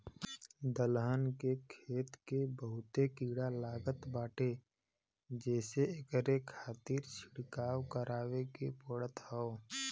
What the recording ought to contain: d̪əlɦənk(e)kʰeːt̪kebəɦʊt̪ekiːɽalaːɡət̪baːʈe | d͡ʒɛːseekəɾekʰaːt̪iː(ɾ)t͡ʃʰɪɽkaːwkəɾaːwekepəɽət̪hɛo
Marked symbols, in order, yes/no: yes, yes

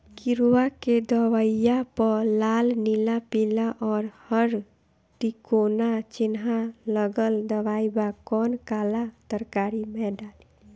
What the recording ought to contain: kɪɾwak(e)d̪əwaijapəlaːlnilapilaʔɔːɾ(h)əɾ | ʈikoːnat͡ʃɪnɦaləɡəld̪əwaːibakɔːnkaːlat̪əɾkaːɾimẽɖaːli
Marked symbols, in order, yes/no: yes, yes

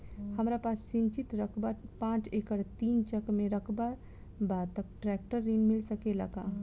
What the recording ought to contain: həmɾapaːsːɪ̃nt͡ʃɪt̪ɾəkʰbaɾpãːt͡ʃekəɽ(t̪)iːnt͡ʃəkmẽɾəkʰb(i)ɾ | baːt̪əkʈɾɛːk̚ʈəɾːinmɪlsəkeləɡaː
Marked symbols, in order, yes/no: yes, no

